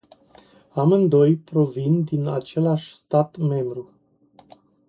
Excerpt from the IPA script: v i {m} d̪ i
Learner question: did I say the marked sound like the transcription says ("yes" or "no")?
no